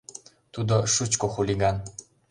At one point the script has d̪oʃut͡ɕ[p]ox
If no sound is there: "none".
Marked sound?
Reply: k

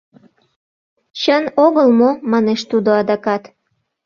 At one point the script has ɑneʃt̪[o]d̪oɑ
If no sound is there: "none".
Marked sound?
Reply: u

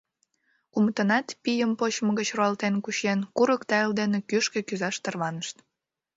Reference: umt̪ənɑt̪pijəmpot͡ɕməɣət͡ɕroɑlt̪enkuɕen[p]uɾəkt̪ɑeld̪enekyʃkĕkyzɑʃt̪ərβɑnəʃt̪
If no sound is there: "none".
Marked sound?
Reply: k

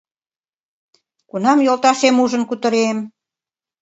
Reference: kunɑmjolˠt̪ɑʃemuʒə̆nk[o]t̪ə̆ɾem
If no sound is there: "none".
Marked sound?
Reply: u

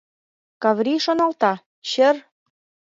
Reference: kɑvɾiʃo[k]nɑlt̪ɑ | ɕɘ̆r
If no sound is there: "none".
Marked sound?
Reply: none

